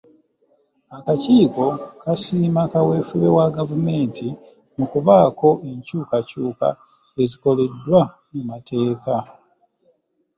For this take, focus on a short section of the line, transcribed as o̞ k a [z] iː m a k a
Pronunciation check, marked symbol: incorrect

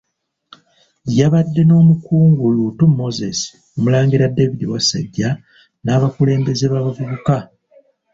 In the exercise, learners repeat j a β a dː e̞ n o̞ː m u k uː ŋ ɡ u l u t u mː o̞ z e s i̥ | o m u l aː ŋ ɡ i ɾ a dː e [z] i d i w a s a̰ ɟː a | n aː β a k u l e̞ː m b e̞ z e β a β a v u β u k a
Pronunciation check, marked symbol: incorrect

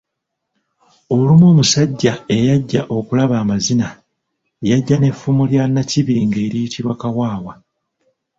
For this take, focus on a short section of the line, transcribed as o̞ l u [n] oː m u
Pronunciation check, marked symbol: incorrect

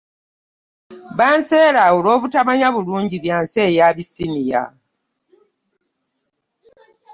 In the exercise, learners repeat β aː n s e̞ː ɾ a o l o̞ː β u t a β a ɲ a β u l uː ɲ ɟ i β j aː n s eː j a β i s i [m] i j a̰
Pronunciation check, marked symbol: incorrect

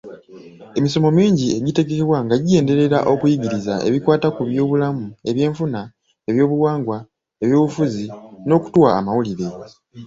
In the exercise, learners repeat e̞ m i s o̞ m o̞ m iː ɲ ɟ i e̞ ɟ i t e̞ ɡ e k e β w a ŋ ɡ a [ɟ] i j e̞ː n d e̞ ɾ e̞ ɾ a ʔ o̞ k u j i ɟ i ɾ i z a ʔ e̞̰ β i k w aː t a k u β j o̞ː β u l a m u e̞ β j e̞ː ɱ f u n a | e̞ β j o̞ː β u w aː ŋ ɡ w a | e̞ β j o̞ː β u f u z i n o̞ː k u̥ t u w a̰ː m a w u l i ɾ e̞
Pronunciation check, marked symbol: correct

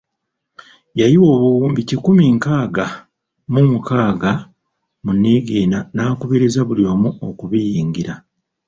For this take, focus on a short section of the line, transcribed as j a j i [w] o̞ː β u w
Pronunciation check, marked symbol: correct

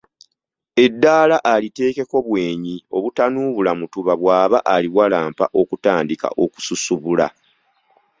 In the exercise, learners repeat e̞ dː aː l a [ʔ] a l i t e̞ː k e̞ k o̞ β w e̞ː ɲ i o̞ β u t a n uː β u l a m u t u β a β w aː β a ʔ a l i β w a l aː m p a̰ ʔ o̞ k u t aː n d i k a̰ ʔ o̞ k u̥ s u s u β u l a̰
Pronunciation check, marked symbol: correct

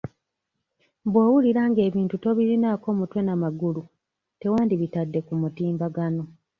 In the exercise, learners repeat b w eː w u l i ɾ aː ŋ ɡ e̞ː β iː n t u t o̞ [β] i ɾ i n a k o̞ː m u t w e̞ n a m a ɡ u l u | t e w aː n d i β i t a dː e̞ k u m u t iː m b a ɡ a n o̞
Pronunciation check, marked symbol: correct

